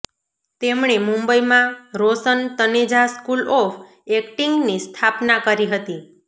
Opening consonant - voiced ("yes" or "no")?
no